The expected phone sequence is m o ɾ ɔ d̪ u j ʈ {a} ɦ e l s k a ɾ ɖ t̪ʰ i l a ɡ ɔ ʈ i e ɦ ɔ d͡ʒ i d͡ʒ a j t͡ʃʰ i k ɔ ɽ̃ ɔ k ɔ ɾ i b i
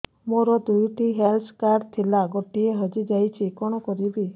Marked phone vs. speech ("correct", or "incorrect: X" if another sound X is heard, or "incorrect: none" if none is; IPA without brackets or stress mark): incorrect: i